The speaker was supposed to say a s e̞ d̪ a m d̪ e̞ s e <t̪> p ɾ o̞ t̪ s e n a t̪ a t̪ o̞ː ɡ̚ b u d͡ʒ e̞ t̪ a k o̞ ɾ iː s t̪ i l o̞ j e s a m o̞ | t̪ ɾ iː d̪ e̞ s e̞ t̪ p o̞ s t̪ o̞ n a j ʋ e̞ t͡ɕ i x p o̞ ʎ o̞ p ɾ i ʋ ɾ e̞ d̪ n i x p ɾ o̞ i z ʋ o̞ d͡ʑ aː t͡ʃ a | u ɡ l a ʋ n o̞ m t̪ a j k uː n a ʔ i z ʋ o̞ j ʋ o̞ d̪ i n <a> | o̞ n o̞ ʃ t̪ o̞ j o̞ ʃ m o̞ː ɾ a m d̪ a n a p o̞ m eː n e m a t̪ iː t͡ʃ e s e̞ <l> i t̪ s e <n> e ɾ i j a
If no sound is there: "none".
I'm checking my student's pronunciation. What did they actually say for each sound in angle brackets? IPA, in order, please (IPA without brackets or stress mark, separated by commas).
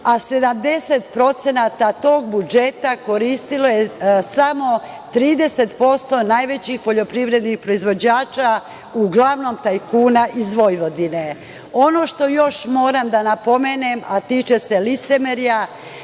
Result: t̪, e, l, m